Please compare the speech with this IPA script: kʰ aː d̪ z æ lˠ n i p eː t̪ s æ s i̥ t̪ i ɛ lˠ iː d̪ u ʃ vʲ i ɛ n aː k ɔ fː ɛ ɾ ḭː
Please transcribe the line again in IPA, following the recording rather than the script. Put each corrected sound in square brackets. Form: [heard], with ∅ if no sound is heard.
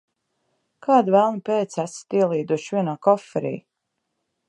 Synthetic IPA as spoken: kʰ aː d̪ [v] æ lˠ n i p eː t̪ s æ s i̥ t̪ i ɛ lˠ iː d̪ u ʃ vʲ i ɛ n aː k ɔ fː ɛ ɾ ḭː